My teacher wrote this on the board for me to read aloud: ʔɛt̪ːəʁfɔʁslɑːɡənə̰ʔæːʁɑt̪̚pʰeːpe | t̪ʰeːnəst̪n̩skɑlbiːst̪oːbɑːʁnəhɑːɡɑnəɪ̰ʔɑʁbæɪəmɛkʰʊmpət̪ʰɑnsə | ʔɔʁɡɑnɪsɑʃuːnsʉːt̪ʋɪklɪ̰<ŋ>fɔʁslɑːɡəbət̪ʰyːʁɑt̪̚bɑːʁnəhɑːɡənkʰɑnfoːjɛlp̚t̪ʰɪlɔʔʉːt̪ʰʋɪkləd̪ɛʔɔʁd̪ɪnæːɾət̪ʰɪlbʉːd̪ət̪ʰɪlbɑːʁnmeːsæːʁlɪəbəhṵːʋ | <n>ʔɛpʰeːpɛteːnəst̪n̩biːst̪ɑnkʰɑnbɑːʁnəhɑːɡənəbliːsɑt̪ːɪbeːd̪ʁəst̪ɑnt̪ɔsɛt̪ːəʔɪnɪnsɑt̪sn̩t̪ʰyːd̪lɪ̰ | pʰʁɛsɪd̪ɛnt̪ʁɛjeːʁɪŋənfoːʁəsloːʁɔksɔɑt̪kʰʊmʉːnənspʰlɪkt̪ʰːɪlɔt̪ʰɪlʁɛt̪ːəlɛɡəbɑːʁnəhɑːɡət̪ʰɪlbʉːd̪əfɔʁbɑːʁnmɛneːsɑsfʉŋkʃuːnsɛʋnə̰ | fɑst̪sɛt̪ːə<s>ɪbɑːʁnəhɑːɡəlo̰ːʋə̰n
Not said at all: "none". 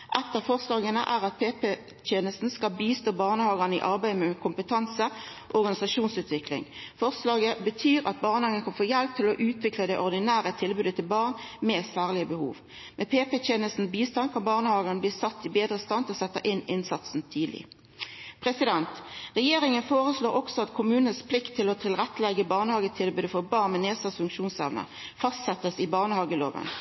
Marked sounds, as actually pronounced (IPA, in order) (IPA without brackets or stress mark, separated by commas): ŋ, m, s